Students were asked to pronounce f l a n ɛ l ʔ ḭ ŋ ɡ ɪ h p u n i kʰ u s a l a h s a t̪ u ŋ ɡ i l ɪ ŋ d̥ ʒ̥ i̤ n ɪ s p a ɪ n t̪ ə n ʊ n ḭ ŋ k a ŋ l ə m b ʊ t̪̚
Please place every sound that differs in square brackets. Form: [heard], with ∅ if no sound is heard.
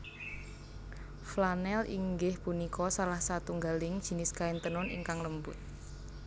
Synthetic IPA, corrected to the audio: f l a n ɛ l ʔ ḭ ŋ ɡ ɪ h p u n i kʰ [ɔ] s a l a h s a t̪ u ŋ ɡ [a] l ɪ ŋ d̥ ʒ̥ i̤ n ɪ s [k] a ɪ n t̪ ə n ʊ n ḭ ŋ k a ŋ l ə m b ʊ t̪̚